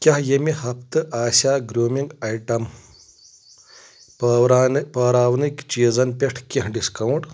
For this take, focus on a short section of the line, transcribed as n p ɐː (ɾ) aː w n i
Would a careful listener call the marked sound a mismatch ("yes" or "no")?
no